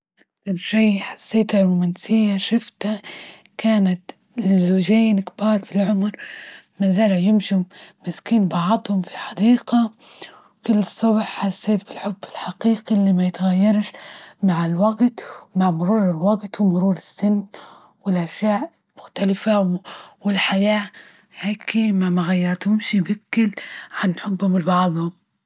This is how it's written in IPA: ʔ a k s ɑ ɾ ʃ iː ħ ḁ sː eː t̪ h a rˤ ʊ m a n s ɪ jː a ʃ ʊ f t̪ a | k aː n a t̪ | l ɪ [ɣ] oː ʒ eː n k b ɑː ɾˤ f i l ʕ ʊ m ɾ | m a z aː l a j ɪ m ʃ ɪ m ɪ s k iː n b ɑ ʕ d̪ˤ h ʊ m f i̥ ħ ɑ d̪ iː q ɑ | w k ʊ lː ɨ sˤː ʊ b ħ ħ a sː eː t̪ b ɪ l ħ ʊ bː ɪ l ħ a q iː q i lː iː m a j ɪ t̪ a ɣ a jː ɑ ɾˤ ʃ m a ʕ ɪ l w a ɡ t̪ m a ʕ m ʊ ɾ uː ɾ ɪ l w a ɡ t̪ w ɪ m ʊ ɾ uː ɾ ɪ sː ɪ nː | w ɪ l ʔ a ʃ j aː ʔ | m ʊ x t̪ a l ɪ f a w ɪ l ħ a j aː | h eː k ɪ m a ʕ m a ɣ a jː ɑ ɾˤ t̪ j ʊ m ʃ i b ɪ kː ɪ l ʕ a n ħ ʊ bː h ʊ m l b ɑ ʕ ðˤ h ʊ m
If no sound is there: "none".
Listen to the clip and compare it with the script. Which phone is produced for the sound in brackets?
z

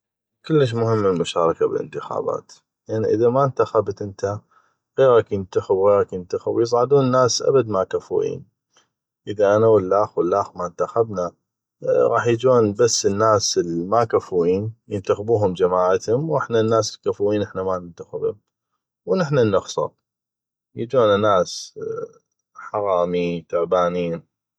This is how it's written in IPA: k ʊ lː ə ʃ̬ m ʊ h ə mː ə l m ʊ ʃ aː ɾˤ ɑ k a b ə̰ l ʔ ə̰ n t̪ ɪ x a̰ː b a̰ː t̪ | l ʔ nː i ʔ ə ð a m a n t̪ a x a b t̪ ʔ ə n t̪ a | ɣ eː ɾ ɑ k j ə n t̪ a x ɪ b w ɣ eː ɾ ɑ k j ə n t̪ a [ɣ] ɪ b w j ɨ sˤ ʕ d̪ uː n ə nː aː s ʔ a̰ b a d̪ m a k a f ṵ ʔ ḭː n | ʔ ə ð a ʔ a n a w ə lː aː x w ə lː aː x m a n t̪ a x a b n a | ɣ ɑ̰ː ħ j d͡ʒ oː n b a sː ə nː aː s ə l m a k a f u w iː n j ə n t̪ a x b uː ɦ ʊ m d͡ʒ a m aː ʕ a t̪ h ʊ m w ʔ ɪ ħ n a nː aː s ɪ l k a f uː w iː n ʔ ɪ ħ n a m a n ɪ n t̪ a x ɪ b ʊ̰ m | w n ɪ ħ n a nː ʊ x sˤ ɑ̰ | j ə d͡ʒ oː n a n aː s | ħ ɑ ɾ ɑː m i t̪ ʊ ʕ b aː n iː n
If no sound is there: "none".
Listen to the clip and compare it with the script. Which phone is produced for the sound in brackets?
x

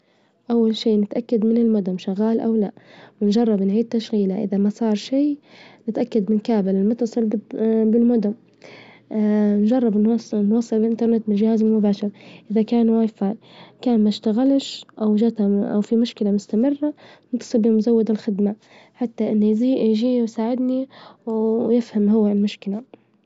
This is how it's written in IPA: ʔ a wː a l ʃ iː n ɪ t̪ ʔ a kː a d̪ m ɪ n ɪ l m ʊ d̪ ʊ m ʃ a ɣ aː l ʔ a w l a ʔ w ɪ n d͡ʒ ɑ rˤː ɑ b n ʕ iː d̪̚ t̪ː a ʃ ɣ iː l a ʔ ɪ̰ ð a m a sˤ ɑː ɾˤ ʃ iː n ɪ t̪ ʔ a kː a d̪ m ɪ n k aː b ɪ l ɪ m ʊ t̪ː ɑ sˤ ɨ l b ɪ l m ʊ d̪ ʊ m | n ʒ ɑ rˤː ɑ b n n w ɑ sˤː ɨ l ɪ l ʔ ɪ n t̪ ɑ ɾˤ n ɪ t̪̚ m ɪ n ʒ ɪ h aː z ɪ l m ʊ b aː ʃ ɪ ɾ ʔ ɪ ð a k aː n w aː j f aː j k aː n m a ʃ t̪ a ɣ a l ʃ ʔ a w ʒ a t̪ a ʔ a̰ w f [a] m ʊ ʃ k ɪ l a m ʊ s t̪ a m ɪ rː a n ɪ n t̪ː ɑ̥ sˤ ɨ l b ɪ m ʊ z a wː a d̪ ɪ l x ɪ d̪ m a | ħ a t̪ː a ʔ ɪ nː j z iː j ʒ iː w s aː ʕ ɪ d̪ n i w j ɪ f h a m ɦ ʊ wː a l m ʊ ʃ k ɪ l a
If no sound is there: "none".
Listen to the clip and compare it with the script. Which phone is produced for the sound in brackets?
i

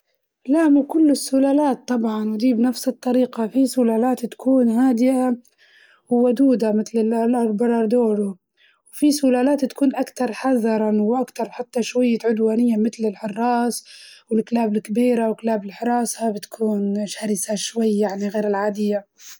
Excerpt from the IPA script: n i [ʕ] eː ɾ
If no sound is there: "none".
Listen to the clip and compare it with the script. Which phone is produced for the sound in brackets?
ɣ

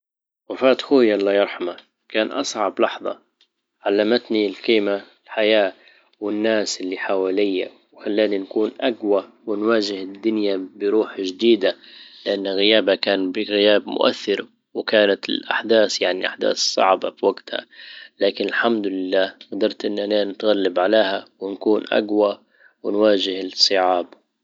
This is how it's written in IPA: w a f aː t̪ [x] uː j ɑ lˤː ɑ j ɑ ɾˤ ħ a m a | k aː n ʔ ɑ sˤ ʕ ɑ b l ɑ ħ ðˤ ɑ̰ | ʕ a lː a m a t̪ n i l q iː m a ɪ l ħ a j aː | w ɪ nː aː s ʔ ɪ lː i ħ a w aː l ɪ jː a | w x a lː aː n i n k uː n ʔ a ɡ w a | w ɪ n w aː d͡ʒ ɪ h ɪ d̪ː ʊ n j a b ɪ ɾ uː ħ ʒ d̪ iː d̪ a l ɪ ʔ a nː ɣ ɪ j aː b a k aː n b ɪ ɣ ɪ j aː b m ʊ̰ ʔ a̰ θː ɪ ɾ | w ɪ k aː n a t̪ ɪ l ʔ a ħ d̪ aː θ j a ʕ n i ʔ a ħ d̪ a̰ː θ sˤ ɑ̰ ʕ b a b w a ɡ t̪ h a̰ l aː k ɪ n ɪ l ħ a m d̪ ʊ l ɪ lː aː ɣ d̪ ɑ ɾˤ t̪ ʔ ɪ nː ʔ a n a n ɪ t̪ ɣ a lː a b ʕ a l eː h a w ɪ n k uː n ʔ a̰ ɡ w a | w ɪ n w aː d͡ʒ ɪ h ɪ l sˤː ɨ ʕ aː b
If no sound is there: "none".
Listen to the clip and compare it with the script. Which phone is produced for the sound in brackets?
x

